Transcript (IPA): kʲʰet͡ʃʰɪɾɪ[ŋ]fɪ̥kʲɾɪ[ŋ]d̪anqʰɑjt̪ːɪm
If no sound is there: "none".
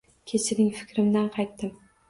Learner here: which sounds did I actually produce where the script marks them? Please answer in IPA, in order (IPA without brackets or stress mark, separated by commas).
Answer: ŋ, m